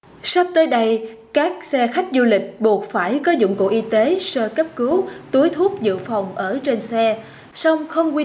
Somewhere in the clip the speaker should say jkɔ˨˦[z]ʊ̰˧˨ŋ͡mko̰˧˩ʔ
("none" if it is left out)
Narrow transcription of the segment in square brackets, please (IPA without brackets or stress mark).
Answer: z